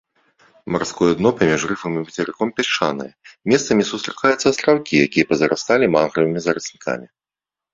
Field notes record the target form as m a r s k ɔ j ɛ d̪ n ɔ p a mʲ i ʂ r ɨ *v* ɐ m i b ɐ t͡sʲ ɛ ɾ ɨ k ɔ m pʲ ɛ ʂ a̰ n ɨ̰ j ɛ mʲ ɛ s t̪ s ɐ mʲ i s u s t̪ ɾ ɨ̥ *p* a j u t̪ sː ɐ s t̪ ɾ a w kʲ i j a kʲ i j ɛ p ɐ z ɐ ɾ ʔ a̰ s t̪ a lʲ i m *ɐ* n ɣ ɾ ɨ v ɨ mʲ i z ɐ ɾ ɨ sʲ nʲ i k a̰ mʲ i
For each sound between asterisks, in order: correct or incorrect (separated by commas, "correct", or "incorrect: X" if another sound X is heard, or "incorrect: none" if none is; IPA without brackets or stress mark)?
incorrect: f, incorrect: k, incorrect: a